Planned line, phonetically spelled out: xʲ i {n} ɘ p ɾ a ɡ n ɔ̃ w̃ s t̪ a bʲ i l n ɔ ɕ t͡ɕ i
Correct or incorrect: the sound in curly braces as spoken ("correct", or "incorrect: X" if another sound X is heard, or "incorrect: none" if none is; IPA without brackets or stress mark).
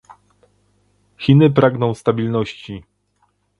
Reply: correct